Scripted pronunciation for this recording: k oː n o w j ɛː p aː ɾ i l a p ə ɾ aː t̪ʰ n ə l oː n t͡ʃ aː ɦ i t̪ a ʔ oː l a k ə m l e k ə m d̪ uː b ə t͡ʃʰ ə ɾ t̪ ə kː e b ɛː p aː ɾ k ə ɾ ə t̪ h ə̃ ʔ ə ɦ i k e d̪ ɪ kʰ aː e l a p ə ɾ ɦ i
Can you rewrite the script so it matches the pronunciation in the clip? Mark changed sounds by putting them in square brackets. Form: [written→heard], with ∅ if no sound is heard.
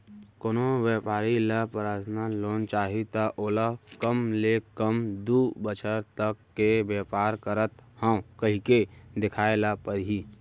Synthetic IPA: k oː n o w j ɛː p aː ɾ i l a p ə ɾ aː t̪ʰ n [ə→a] l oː n t͡ʃ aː ɦ i t̪ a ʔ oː l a k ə m l e k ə m d̪ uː b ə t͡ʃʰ ə ɾ t̪ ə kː e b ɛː p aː ɾ k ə ɾ ə t̪ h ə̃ [ʔ→k] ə ɦ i k e d̪ ɪ kʰ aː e l a p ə ɾ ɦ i